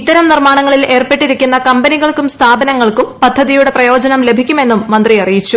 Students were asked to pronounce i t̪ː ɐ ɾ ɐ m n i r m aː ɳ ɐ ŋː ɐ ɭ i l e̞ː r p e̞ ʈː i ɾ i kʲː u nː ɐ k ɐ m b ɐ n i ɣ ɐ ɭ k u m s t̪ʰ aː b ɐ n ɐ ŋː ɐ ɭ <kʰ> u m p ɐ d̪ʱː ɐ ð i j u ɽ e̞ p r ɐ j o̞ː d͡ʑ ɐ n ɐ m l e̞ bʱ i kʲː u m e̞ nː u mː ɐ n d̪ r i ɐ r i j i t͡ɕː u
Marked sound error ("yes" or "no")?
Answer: yes